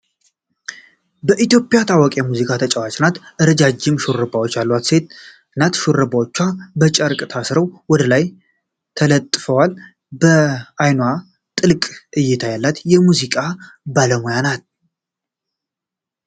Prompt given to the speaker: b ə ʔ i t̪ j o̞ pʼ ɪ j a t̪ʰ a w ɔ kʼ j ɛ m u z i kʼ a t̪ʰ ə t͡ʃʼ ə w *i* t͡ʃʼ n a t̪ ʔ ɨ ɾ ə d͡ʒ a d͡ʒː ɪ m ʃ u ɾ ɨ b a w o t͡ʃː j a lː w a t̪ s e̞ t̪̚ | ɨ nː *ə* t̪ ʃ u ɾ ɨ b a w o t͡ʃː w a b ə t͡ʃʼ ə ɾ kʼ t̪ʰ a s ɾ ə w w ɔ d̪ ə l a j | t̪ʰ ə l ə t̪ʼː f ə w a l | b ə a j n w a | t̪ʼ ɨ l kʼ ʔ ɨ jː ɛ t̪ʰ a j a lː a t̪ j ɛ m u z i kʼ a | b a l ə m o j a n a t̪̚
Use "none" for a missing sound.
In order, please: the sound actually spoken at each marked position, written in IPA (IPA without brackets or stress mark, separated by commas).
a, a